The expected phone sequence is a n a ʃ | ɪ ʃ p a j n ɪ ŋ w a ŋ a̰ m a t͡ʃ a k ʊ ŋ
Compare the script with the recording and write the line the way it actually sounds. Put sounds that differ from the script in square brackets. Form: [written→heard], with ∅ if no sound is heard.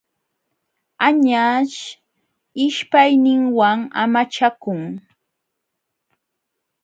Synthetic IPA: a [n→ɲ] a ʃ | ɪ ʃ p a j n ɪ ŋ w a ŋ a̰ m a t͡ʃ a k ʊ ŋ

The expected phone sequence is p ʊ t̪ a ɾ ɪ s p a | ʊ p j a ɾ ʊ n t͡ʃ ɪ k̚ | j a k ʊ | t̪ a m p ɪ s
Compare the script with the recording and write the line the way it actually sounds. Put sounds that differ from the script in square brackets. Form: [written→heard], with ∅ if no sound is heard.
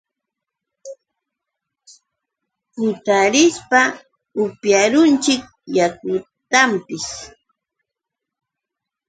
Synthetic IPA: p ʊ t̪ a ɾ ɪ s p a | ʊ p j a ɾ ʊ n t͡ʃ ɪ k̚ | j a k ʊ | t̪ a m p ɪ s

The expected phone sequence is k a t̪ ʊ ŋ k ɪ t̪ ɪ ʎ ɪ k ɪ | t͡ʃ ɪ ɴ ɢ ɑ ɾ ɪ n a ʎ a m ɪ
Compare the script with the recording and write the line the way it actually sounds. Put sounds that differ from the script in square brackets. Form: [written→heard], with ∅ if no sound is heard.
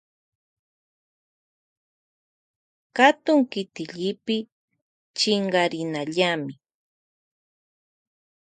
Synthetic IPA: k a t̪ ʊ ŋ k ɪ t̪ ɪ ʎ ɪ [k→p] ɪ | t͡ʃ ɪ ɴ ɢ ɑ ɾ ɪ n a ʎ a m ɪ

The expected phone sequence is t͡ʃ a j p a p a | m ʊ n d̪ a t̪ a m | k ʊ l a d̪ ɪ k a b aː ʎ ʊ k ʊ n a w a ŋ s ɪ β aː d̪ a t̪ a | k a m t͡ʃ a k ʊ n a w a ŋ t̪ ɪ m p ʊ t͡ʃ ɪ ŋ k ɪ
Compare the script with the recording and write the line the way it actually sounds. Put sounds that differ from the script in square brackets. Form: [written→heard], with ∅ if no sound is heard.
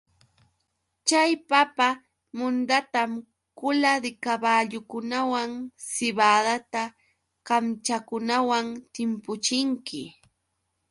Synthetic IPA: t͡ʃ a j p a p a | m ʊ n d̪ a t̪ a m | k ʊ l a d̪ ɪ k a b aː ʎ ʊ k ʊ n a w a ŋ s ɪ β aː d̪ a t̪ a | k a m t͡ʃ a k ʊ n a w a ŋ t̪ ɪ m p ʊ t͡ʃ ɪ ŋ k ɪ

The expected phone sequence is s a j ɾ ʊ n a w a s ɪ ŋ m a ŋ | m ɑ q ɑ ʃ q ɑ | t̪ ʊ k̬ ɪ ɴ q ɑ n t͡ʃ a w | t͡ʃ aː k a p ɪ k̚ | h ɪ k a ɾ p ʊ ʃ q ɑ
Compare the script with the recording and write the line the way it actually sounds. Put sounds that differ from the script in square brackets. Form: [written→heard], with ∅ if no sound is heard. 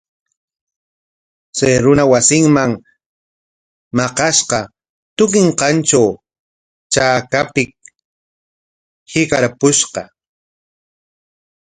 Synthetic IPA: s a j ɾ ʊ n a w a s ɪ ŋ m a ŋ | m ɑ q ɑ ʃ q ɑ | t̪ ʊ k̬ ɪ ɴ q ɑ n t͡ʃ a w | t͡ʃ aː k a p ɪ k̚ | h ɪ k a ɾ p ʊ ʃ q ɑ

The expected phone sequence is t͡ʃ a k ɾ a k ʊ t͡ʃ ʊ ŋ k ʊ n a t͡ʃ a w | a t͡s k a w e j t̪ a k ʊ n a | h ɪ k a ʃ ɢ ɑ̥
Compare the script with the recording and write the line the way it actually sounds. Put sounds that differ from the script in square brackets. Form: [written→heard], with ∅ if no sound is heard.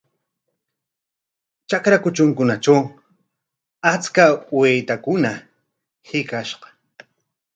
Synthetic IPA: t͡ʃ a k ɾ a k ʊ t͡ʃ ʊ ŋ k ʊ n a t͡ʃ a w | a t͡s k a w e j t̪ a k ʊ n a | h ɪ k a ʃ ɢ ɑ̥

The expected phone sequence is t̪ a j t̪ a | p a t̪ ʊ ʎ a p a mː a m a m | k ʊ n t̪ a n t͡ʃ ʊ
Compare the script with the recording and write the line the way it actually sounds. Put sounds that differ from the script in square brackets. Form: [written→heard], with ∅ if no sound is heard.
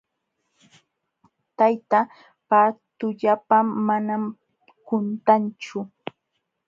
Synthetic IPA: t̪ a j t̪ a | p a t̪ ʊ ʎ a p a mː a [m→n] a m | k ʊ n t̪ a n t͡ʃ ʊ

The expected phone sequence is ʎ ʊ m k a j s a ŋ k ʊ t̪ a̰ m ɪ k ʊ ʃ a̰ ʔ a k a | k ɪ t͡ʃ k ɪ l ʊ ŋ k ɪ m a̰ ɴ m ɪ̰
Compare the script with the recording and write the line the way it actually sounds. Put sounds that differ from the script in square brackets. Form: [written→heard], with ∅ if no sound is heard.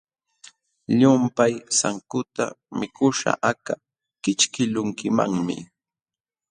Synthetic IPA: ʎ ʊ m [k→p] a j s a ŋ k ʊ t̪ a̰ m ɪ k ʊ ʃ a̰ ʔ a k a | k ɪ t͡ʃ k ɪ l ʊ ŋ k ɪ m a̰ [ɴ→ŋ] m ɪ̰

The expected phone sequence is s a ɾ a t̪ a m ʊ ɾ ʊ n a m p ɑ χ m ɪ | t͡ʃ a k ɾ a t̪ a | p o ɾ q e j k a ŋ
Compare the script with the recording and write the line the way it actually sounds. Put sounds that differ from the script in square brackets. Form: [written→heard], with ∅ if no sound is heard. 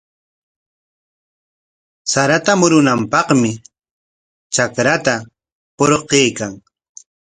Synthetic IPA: s a ɾ a t̪ a m ʊ ɾ ʊ n a m p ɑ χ m ɪ | t͡ʃ a k ɾ a t̪ a | p o ɾ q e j k a ŋ

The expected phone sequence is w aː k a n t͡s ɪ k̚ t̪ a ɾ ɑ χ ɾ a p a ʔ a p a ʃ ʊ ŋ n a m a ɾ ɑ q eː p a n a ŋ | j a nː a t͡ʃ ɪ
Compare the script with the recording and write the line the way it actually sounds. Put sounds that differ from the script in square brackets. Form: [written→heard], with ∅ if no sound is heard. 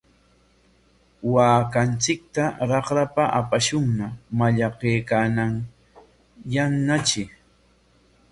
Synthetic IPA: w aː k a n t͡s ɪ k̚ t̪ a ɾ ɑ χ ɾ a p a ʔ a p a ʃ ʊ ŋ n a m a [ɾ→ʎ] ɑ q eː [p→k] a n a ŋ | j a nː a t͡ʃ ɪ

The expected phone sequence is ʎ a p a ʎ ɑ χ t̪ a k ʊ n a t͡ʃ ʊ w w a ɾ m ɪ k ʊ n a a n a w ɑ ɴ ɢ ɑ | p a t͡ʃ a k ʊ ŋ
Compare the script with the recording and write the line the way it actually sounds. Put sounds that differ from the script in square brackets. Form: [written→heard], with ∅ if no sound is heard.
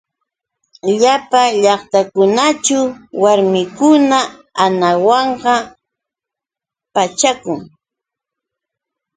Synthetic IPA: ʎ a p a ʎ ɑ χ t̪ a k ʊ n a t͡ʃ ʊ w w a ɾ m ɪ k ʊ n a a n a w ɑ ɴ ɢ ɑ | p a t͡ʃ a k ʊ ŋ

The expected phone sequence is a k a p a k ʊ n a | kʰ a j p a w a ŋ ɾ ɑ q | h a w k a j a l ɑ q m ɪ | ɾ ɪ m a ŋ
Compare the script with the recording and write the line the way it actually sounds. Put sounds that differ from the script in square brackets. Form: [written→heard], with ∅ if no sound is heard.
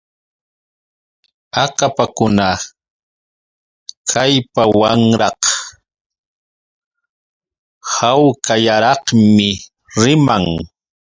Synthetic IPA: a k a p a k ʊ n a | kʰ a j p a w a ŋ ɾ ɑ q | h a w k a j a [l→ɾ] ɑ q m ɪ | ɾ ɪ m a ŋ

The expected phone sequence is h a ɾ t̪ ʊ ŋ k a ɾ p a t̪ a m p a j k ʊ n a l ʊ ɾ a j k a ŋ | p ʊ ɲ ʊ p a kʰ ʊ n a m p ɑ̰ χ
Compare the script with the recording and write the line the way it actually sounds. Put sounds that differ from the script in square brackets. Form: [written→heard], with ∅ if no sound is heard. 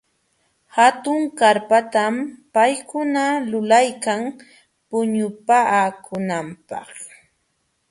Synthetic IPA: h a [ɾ→∅] t̪ ʊ ŋ k a ɾ p a t̪ a m p a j k ʊ n a l ʊ [ɾ→l] a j k a ŋ | p ʊ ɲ ʊ p a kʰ ʊ n a m p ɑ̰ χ

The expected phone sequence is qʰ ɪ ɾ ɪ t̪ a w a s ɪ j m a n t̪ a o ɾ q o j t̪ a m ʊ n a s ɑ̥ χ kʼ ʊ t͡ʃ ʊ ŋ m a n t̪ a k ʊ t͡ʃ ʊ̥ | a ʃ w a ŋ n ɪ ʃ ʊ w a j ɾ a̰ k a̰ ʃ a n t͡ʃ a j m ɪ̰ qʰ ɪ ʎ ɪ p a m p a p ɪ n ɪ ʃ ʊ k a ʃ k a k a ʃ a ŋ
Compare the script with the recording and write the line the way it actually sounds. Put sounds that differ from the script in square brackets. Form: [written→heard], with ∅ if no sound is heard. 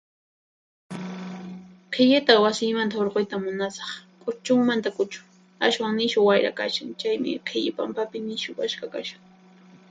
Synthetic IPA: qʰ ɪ [ɾ→ʎ] ɪ t̪ a w a s ɪ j m a n t̪ a o ɾ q o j t̪ a m ʊ n a s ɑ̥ χ kʼ ʊ t͡ʃ ʊ ŋ m a n t̪ a k ʊ t͡ʃ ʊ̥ | a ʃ w a ŋ n ɪ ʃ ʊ w a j ɾ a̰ k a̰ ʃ a [n→ŋ] t͡ʃ a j m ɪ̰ qʰ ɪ ʎ ɪ p a m p a p ɪ n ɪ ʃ ʊ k a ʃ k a k a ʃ a ŋ

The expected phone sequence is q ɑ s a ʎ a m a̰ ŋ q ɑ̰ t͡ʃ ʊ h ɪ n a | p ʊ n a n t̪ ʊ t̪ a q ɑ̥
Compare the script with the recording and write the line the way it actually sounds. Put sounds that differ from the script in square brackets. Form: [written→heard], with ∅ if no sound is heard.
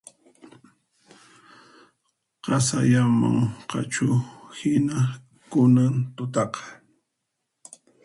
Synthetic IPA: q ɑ s a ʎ a m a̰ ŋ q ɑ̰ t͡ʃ ʊ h ɪ n a | [p→k] ʊ n a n t̪ ʊ t̪ [a→ɑ] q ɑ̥

